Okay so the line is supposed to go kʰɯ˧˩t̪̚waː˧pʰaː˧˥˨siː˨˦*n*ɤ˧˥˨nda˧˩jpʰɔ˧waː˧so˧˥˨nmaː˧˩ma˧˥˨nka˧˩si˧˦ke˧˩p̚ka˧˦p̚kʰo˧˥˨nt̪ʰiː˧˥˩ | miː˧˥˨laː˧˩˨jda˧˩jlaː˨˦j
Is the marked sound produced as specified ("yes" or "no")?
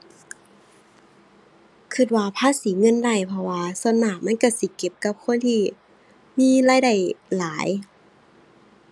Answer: no